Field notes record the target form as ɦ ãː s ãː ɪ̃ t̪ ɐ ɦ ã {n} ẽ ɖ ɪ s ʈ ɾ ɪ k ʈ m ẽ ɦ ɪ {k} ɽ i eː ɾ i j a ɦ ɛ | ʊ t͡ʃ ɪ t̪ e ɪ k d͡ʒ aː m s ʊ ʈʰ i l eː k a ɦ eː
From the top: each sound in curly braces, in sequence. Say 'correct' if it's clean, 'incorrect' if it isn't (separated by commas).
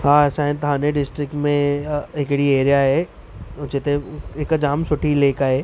correct, correct